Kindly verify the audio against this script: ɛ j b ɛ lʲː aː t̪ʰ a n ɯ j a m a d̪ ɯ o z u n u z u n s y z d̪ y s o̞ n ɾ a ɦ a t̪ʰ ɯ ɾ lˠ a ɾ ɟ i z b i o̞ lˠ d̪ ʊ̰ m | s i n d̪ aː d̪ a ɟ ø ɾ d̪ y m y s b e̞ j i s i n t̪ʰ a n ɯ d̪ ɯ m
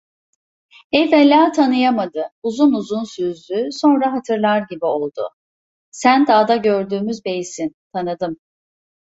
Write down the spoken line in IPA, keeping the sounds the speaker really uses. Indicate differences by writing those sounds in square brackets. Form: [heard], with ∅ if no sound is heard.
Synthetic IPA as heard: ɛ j [v] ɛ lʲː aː t̪ʰ a n ɯ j a m a d̪ ɯ [u] z u n u z u n s y z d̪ y s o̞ n ɾ a ɦ a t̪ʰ ɯ ɾ lˠ a ɾ ɟ i [∅] b i o̞ lˠ d̪ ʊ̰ [∅] | s [æ] n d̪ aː d̪ a ɟ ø ɾ d̪ [yː] m y [z] b e̞ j i s i n t̪ʰ a n ɯ d̪ ɯ m